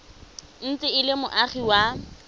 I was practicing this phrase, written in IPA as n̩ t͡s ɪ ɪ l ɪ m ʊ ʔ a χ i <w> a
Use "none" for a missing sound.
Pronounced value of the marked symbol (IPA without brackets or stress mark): w